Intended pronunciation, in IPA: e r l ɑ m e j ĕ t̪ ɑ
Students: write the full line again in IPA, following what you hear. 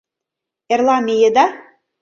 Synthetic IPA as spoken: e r l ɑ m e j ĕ d̪ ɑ